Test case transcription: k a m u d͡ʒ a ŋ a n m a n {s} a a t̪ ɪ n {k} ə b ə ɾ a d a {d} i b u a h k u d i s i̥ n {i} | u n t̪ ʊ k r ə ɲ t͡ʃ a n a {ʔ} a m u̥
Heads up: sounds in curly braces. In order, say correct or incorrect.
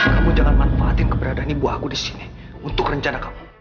incorrect, correct, incorrect, correct, incorrect

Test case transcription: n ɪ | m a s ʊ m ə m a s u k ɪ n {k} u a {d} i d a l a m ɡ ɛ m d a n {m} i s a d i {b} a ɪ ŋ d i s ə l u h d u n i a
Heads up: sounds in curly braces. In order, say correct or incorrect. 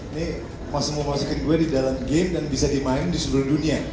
incorrect, correct, incorrect, incorrect

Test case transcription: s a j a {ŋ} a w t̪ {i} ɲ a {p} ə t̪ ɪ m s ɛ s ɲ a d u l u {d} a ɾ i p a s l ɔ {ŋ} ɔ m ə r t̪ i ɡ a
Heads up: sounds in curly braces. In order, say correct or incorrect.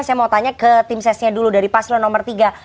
incorrect, incorrect, incorrect, correct, incorrect

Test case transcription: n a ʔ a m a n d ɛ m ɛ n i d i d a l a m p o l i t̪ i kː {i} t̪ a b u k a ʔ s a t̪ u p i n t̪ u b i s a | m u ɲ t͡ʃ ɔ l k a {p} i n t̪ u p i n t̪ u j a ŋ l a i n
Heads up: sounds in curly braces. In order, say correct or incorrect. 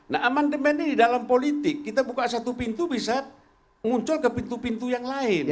correct, correct

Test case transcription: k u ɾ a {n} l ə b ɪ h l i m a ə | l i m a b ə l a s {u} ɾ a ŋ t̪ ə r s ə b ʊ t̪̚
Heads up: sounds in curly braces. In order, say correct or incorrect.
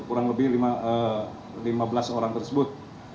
incorrect, incorrect

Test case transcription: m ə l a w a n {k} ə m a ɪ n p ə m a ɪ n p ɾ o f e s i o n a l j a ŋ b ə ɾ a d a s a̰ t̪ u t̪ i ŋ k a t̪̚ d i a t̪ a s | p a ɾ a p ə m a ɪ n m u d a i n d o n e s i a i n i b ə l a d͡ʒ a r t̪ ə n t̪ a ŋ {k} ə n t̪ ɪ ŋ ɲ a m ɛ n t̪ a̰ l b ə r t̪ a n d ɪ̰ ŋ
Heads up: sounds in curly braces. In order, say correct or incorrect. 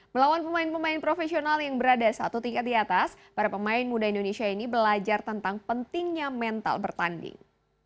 incorrect, incorrect

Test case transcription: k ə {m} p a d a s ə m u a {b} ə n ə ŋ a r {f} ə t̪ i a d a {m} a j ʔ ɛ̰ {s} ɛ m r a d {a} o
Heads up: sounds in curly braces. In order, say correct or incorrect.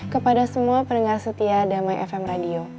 incorrect, incorrect, incorrect, correct, incorrect, incorrect

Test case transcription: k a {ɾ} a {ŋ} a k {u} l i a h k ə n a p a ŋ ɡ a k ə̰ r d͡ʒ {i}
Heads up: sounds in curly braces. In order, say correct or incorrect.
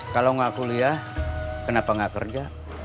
incorrect, correct, correct, incorrect

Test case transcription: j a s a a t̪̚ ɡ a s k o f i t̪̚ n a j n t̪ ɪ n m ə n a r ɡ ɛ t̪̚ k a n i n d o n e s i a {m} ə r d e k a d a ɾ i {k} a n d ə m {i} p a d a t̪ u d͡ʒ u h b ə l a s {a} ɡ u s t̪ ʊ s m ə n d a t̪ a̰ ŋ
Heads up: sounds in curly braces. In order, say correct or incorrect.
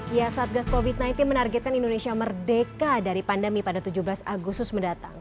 correct, incorrect, correct, correct

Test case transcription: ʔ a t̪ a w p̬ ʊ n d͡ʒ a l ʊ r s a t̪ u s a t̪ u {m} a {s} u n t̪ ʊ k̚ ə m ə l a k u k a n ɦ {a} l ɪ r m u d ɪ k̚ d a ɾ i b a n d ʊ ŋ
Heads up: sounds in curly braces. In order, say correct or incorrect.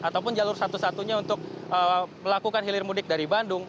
incorrect, incorrect, incorrect

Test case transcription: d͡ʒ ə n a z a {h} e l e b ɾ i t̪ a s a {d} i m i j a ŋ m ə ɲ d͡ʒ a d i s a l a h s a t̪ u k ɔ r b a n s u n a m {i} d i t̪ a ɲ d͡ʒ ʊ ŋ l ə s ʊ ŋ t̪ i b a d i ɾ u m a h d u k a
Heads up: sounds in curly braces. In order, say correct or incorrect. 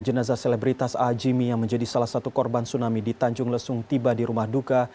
incorrect, incorrect, correct

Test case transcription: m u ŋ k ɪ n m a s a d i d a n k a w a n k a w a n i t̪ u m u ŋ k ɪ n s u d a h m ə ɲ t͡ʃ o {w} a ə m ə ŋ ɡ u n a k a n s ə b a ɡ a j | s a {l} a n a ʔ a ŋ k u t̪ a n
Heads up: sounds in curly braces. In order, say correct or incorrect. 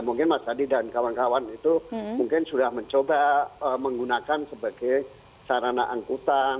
incorrect, incorrect

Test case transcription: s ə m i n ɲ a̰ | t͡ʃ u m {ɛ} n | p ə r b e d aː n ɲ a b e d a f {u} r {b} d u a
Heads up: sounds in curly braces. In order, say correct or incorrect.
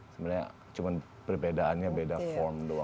incorrect, incorrect, incorrect

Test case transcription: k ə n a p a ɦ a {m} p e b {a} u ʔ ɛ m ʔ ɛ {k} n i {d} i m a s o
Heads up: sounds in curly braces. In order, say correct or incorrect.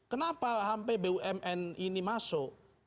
correct, incorrect, incorrect, incorrect

